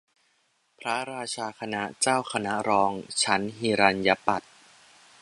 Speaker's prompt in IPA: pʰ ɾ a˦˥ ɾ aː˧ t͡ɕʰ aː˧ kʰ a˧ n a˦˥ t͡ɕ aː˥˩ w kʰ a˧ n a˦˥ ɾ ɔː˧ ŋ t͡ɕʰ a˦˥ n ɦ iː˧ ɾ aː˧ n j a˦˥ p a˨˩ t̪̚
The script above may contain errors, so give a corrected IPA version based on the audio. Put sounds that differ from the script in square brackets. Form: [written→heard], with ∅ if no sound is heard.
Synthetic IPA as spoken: pʰ ɾ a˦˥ ɾ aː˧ t͡ɕʰ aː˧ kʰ a˧ n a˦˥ t͡ɕ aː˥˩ w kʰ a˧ n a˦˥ ɾ ɔː˧ ŋ t͡ɕʰ a˦˥ n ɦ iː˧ ɾ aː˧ n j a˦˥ p a˨˩ t̪̚